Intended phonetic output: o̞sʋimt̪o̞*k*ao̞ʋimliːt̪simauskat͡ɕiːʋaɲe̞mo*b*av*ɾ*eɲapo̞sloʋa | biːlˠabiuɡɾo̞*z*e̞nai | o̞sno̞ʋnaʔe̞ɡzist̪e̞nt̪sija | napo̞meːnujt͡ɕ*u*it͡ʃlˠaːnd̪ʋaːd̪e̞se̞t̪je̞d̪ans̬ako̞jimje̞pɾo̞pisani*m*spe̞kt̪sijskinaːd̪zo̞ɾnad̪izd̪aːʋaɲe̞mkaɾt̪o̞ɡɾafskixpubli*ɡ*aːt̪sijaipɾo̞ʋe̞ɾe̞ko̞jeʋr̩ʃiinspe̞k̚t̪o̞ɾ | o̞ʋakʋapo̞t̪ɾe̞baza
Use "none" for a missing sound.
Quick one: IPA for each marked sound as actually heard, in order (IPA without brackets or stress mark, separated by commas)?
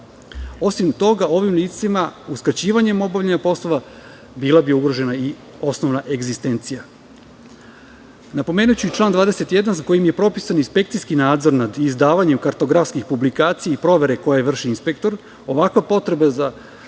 ɡ, b, ʎ, ʒ, u, n, k